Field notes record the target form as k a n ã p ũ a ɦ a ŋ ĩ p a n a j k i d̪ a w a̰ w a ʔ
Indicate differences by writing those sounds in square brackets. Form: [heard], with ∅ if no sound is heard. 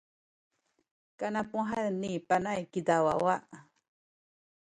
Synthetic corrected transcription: k a n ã p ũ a ɦ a [n] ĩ p a n a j k i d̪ a w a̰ w a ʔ

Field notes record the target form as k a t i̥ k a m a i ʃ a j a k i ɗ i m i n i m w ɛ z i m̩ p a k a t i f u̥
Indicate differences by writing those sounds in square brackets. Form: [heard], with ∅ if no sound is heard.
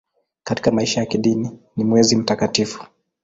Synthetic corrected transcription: k a t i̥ k a m a i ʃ a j a k i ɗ i [n] i n i m w ɛ z i m̩ [t] a k a t i f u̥

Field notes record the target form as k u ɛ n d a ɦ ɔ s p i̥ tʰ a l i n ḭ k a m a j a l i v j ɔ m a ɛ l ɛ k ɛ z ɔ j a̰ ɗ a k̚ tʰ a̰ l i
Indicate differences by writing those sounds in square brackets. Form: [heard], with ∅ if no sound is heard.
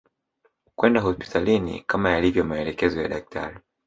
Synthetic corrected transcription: k [w] ɛ n d a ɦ ɔ s p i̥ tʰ a l i n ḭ k a m a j a l i v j ɔ m a ɛ l ɛ k ɛ z ɔ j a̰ ɗ a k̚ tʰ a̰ [ɾ] i

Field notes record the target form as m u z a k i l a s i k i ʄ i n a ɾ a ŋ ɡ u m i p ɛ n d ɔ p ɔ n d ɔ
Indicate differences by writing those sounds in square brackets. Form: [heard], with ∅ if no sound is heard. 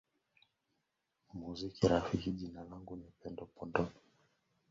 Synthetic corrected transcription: m u z [i] k i [ɾ] a [f] i k i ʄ i n a [l] a ŋ ɡ u [n] i p ɛ n d ɔ p ɔ n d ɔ

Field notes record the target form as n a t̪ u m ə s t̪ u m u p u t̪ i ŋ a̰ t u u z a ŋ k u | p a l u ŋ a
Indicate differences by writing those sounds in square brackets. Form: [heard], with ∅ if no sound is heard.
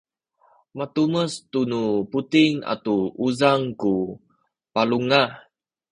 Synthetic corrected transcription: [m] a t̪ u m ə s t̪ u [n] u p u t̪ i ŋ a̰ t u u z a ŋ k u | p a l u ŋ a

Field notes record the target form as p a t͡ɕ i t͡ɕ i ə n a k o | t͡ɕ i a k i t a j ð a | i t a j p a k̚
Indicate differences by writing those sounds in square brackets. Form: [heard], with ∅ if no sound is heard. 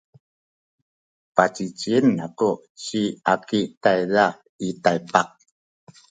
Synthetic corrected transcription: p a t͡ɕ i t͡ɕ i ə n a k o | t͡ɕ i a k i t a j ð a | i t a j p a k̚

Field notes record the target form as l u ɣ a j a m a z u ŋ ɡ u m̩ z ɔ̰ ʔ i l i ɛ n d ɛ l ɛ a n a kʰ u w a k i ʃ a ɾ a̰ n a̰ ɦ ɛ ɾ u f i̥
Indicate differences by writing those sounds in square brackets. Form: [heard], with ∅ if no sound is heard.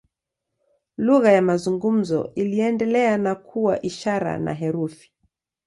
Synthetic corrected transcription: l u ɣ a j a m a z u ŋ ɡ u m̩ z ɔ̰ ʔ i l i ɛ n d ɛ l ɛ a n a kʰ u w a [ʔ] i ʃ a ɾ a̰ n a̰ ɦ ɛ ɾ u f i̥

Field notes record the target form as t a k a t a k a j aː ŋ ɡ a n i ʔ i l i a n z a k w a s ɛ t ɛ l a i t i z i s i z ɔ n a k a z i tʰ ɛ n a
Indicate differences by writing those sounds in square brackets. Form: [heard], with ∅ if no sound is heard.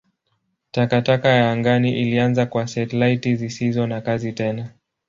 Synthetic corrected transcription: t a k a t a k a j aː ŋ ɡ a n i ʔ i l i a n z a k w a s ɛ t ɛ l a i t i z i s i z ɔ n a k a z i [t] ɛ n a

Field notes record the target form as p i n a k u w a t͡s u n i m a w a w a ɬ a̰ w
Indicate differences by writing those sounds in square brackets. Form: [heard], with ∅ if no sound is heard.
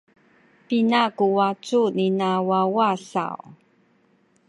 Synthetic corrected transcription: p i n a k u w a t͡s u n i [n] a w a w a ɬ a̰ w

